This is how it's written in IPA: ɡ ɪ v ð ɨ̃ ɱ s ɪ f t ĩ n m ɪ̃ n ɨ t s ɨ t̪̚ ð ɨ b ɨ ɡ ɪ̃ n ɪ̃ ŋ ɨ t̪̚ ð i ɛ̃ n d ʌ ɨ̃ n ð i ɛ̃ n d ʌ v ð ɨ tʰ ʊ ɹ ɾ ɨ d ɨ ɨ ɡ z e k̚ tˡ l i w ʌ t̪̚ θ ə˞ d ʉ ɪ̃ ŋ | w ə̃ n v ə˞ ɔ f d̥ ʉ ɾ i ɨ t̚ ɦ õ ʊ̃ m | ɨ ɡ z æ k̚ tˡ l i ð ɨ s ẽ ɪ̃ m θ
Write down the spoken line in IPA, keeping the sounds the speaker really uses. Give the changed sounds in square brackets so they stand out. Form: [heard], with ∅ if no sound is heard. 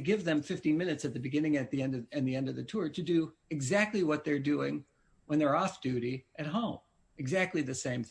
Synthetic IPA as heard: ɡ ɪ v ð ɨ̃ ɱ [f] ɪ f t ĩ n m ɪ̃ n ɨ t s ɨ t̪̚ ð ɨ b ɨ ɡ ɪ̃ n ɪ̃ ŋ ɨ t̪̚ ð i ɛ̃ n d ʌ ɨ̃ n ð i ɛ̃ n d ʌ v ð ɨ tʰ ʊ ɹ ɾ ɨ d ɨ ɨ ɡ z [æ] k̚ tˡ l i w ʌ t̪̚ [ð] ə˞ d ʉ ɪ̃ ŋ | w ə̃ n [ð] ə˞ ɔ f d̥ ʉ ɾ i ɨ t̚ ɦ õ ʊ̃ m | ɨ ɡ z æ k̚ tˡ l i ð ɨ s ẽ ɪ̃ m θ